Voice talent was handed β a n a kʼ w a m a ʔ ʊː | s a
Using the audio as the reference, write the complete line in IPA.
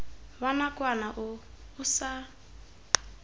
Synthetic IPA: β a n a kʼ w a n a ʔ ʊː | s a